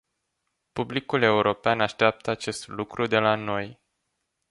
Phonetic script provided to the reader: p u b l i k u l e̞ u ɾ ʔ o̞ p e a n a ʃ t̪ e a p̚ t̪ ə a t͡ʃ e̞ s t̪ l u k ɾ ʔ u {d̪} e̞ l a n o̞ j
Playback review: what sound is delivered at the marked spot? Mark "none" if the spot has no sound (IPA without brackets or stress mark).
d̪